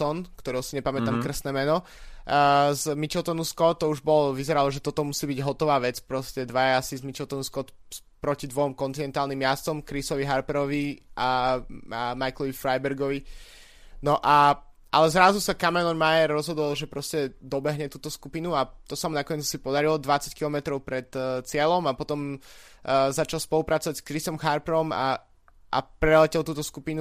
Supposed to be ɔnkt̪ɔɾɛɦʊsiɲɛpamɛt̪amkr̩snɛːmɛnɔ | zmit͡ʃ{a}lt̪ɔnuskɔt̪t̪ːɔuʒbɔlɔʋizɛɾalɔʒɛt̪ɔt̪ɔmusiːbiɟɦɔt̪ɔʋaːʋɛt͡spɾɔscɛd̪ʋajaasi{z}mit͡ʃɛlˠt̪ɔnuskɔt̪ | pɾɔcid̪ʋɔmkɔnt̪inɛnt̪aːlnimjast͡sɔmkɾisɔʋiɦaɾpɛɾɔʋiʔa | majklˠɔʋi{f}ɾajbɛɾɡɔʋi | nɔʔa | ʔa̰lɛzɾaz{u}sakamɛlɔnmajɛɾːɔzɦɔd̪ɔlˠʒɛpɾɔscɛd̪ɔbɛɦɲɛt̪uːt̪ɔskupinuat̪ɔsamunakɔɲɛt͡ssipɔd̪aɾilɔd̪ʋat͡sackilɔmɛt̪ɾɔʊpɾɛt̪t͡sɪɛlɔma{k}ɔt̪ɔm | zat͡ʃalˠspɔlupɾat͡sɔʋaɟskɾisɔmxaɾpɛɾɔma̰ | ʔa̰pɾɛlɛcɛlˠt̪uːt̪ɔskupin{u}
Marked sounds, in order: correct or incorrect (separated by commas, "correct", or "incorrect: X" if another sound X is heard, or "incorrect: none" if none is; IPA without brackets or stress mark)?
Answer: incorrect: ɛ, correct, correct, correct, incorrect: p, correct